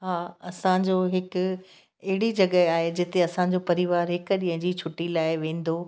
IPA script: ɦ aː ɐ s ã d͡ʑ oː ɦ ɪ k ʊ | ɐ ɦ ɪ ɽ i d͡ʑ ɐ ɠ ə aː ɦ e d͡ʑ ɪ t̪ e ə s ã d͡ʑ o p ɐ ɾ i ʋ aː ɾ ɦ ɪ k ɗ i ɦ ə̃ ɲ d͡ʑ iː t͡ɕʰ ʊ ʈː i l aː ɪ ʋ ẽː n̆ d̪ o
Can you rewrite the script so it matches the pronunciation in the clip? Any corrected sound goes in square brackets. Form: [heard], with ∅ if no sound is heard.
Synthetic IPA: ɦ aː ɐ s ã d͡ʑ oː ɦ ɪ k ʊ | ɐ ɦ ɪ ɽ i d͡ʑ ɐ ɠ ə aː ɦ e d͡ʑ ɪ t̪ e [ɐ] s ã d͡ʑ o p ɐ ɾ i ʋ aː ɾ ɦ ɪ k ɗ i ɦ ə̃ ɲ d͡ʑ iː t͡ɕʰ ʊ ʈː i l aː ɪ ʋ ẽː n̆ d̪ o